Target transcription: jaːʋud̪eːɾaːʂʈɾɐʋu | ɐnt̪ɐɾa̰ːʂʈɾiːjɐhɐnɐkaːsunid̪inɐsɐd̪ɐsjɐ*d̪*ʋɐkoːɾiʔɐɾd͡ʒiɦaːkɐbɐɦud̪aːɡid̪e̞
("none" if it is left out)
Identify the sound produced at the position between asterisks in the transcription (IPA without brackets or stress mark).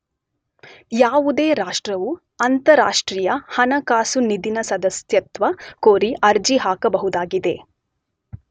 t̪